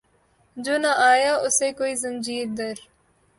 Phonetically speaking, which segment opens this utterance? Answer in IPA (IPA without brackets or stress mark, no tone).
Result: d͡ʒ